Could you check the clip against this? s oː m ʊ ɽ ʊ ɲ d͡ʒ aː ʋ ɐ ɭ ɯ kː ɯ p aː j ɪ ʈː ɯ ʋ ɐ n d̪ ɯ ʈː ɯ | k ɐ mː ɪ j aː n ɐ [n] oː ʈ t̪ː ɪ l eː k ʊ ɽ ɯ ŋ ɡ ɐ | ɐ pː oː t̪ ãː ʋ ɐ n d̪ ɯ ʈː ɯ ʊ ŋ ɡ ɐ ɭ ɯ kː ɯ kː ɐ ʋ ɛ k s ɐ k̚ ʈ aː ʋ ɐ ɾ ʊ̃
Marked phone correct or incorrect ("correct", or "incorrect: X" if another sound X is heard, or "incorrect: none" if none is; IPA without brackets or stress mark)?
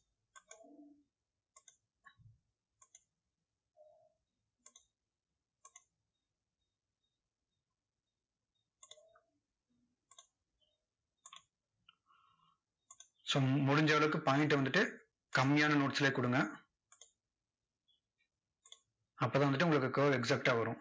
correct